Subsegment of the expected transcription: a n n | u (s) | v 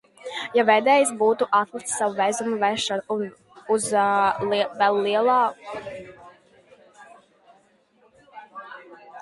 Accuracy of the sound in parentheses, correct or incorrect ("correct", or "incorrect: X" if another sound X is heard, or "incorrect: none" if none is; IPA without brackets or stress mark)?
incorrect: z